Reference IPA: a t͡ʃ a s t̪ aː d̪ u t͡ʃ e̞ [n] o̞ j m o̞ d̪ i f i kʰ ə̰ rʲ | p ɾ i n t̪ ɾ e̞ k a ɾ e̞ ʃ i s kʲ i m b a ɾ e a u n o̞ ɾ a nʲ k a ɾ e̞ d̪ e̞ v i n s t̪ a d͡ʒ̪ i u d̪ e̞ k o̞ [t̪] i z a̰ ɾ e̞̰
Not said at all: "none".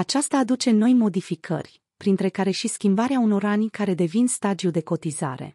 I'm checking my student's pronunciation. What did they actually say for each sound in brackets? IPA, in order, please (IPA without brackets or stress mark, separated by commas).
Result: n, t̪